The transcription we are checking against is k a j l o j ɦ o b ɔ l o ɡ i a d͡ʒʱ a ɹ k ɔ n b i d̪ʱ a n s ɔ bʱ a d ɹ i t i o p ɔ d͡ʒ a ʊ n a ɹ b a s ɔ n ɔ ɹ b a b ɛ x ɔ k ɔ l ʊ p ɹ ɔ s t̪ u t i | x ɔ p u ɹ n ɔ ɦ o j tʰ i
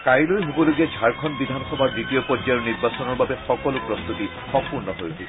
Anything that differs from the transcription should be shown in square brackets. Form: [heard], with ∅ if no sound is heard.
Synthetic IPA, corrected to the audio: k a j l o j ɦ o b ɔ l o ɡ i a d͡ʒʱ a ɹ [kʰ] ɔ n b i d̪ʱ a n [x] ɔ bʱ a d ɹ i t i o p ɔ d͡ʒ a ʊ n [i] ɹ b a s ɔ n ɔ ɹ b a b ɛ x ɔ k ɔ l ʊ p ɹ ɔ s t̪ u t i | x ɔ p u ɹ n ɔ ɦ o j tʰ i